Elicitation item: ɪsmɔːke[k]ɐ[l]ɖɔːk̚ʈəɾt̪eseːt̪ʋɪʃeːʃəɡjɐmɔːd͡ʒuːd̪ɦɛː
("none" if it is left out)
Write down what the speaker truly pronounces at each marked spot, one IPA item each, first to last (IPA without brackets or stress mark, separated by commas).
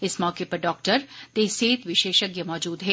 p, ɾ